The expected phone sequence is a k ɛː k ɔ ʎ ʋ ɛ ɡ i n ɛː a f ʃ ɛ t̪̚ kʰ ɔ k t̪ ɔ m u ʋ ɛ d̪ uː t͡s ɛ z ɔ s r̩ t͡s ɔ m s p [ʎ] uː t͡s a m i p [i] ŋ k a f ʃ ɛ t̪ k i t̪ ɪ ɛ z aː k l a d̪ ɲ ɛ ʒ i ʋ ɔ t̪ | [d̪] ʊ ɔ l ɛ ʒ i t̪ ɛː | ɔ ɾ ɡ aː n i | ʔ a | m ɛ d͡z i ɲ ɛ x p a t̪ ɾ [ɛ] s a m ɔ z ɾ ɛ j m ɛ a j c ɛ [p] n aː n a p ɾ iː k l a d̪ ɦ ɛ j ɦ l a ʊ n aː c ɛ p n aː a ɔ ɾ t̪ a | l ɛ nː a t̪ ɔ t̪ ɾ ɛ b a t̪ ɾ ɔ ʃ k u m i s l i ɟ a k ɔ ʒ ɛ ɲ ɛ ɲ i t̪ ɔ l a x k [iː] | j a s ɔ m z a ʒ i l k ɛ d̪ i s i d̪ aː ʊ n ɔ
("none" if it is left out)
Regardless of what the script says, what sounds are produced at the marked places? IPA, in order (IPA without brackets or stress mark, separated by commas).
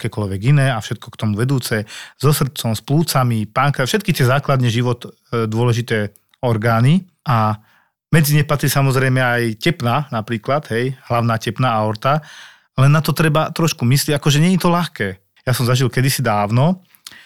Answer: l, a, d̪, i, p, ɛː